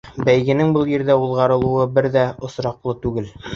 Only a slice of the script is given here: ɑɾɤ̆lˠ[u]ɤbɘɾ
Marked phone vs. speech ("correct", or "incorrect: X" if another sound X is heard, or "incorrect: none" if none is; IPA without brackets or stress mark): correct